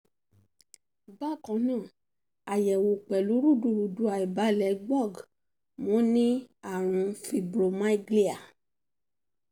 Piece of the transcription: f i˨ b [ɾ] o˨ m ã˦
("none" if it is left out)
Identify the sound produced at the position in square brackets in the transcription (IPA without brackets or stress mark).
ɾ